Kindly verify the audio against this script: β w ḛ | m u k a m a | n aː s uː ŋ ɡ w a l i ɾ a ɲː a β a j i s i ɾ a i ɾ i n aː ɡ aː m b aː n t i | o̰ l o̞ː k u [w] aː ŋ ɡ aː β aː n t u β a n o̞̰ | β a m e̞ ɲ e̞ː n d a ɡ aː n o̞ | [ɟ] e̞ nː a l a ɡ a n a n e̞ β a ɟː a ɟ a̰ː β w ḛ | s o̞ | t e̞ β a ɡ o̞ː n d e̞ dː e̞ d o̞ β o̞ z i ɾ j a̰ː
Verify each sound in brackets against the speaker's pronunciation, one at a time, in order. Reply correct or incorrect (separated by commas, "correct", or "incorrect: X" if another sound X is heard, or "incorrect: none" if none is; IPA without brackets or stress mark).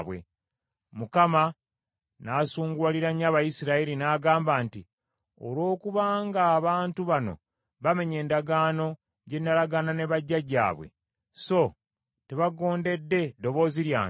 incorrect: β, correct